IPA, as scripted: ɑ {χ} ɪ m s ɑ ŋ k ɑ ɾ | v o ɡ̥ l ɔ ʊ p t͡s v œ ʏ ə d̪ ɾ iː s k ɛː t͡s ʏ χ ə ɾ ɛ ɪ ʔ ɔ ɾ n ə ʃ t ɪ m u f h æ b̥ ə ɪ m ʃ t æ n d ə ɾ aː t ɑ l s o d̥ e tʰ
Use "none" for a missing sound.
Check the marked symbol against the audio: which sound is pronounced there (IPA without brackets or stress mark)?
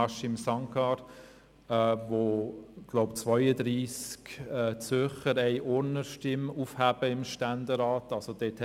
ʃ